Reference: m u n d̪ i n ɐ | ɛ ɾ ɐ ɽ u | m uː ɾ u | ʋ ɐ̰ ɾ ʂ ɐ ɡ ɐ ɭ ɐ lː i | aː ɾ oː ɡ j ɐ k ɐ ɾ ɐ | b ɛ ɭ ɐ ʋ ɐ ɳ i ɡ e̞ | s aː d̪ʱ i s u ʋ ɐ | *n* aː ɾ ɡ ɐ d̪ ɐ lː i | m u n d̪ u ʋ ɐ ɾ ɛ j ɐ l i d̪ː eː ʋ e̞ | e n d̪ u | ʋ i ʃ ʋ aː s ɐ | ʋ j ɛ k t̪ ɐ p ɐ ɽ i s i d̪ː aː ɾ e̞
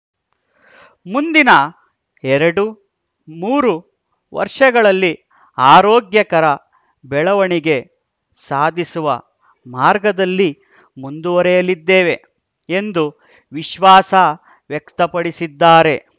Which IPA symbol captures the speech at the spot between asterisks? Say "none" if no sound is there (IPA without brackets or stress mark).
m